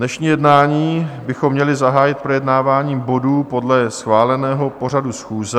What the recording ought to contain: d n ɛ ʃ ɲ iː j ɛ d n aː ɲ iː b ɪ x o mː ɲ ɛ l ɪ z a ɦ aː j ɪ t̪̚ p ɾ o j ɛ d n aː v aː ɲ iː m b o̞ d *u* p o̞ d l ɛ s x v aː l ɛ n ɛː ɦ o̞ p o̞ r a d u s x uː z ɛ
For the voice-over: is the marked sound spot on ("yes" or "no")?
no